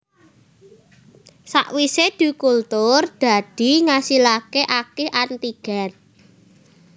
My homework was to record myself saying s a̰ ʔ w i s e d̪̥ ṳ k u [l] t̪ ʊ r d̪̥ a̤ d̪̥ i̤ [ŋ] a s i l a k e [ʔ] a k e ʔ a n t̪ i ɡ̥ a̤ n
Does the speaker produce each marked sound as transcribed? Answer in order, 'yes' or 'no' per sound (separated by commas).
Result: yes, yes, yes